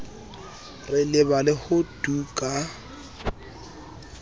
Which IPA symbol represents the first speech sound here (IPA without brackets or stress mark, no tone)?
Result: r